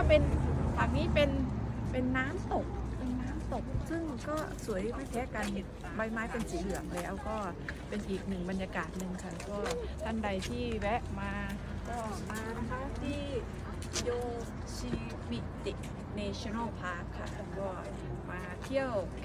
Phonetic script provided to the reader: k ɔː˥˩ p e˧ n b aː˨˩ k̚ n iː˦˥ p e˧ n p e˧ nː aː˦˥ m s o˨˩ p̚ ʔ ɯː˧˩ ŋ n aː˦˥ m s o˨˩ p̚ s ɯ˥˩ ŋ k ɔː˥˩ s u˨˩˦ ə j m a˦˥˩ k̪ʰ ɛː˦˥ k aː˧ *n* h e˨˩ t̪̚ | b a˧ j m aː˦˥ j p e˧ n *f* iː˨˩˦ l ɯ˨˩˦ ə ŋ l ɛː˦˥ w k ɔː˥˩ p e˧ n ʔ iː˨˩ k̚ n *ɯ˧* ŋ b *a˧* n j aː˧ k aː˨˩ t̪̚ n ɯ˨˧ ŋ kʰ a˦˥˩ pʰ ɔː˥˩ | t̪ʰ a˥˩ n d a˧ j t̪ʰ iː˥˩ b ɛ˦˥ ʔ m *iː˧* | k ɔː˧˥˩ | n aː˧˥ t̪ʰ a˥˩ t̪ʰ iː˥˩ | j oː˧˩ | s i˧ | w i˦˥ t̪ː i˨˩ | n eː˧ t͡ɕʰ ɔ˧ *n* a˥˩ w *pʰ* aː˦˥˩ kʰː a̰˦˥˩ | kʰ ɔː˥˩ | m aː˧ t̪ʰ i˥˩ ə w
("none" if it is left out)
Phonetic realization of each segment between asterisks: n, s, ɯ˨˩, a˧, aː˧, n, pʰ

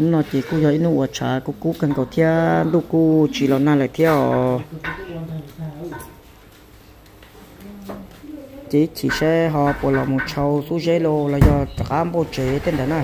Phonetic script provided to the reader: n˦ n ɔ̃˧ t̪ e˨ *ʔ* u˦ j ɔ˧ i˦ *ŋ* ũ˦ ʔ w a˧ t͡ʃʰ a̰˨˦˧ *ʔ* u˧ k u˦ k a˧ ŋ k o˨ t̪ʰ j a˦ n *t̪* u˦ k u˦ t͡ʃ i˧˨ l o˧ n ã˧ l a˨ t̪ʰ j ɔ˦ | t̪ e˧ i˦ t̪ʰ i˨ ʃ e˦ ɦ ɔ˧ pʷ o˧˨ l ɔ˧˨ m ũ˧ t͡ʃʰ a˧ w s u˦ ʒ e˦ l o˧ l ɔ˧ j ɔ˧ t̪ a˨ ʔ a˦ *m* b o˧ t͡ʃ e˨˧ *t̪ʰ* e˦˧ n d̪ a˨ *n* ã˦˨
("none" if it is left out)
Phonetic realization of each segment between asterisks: k, n, k, d̪, m, t̪, n

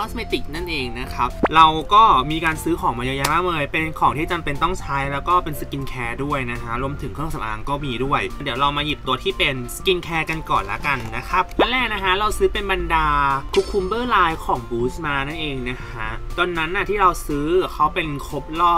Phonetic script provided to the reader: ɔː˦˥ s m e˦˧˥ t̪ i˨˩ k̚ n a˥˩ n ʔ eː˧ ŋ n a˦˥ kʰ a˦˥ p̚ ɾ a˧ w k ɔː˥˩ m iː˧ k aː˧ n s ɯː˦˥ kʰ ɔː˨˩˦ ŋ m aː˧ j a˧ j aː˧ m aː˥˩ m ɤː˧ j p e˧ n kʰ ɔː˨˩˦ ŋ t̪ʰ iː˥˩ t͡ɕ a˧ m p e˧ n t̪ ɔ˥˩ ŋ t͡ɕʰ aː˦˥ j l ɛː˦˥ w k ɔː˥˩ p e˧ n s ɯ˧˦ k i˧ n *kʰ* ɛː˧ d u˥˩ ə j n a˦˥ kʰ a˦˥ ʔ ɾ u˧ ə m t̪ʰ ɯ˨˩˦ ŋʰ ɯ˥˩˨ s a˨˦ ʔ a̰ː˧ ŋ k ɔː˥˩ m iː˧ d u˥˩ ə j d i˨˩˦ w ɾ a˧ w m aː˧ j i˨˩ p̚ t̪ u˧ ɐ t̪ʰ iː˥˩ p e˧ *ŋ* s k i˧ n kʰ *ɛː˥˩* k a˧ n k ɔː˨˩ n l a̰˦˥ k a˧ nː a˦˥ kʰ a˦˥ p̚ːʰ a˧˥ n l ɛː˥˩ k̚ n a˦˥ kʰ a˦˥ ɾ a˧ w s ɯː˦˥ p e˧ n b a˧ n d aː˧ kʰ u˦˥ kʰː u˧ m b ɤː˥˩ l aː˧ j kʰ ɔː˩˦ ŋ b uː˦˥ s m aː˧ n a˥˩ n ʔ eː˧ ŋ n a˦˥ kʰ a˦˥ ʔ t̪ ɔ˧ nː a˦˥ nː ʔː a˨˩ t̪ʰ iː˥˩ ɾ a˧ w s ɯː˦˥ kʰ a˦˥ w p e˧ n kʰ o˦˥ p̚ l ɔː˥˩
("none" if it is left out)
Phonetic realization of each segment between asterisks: kʰ, n, ɛː˧

